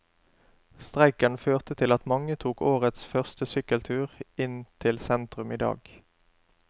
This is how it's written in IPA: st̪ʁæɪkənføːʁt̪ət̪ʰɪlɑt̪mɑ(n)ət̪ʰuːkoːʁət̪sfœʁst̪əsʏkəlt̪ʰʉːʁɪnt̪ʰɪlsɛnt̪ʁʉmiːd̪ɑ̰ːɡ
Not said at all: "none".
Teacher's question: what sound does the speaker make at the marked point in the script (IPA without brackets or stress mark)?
ŋ